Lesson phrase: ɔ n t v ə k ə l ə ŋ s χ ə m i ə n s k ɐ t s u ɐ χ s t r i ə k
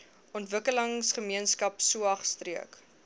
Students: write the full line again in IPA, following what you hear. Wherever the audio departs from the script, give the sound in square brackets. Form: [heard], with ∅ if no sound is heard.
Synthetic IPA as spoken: ɔ n t v ə k ə l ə ŋ s χ ə m i ə n s k ɐ [p] s u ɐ χ s t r i ə k